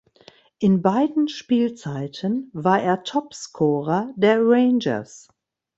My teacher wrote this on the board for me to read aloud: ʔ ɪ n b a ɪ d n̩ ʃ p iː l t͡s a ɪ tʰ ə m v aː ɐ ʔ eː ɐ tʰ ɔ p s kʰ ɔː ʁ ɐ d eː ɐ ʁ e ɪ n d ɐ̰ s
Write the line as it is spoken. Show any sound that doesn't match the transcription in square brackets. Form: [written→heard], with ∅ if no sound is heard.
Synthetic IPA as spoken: ʔ ɪ n b a ɪ d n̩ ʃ p iː l t͡s a ɪ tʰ ə [m→n] v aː ɐ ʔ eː ɐ tʰ ɔ p s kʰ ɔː ʁ ɐ d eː ɐ ʁ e ɪ n [d→d͡ʒ] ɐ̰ s